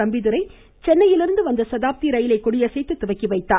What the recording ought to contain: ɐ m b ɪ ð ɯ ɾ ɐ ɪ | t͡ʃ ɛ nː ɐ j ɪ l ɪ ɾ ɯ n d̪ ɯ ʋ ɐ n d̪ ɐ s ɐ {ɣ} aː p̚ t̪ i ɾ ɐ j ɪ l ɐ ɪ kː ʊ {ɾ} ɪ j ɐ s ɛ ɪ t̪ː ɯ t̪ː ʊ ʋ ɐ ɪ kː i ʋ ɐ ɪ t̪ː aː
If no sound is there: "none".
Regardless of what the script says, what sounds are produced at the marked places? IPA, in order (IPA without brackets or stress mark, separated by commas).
ð, ɽ